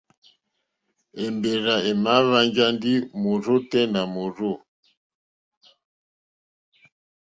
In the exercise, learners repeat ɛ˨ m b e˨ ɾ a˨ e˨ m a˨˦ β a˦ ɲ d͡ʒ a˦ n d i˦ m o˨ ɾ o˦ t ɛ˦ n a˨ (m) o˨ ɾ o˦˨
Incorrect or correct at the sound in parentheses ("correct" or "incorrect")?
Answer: correct